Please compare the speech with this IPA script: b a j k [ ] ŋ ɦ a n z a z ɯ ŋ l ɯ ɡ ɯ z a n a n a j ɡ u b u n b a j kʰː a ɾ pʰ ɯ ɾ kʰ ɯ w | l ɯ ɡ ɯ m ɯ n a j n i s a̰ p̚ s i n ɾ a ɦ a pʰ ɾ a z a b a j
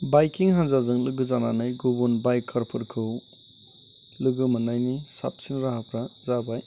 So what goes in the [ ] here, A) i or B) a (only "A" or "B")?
A